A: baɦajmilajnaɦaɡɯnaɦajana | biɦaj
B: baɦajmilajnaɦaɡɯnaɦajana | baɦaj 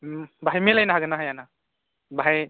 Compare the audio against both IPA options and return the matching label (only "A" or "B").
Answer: B